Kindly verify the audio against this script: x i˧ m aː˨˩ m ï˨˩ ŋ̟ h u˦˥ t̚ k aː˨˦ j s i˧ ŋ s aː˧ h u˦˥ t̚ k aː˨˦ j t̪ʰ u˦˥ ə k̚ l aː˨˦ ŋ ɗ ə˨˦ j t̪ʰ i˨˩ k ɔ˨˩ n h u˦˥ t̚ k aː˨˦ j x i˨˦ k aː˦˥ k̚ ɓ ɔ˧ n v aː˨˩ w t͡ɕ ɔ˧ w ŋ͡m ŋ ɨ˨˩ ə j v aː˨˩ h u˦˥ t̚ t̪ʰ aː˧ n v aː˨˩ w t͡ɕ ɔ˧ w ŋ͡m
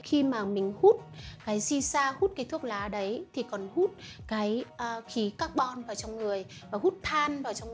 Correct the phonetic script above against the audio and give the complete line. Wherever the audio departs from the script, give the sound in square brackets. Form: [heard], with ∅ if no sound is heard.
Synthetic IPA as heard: x i˧ m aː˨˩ m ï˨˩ ŋ̟ h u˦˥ t̚ k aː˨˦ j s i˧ [∅] s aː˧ h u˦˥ t̚ k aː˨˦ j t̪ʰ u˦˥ ə k̚ l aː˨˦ [∅] ɗ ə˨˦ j t̪ʰ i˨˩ k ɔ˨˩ n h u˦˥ t̚ k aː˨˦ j x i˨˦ k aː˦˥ k̚ ɓ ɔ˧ n v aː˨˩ w t͡ɕ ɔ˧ w ŋ͡m ŋ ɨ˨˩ ə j v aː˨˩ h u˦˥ t̚ t̪ʰ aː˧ n v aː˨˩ w t͡ɕ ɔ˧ w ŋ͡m